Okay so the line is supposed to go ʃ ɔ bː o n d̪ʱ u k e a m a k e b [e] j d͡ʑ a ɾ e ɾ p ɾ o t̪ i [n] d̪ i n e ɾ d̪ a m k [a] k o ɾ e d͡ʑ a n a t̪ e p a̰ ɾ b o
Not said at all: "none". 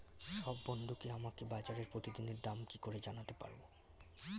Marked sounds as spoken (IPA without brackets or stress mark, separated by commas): a, none, i